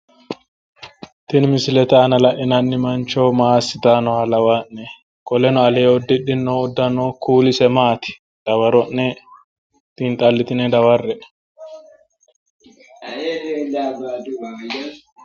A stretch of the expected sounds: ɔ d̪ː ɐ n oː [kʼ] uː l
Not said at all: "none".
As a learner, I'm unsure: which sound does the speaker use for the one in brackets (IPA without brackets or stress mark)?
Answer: k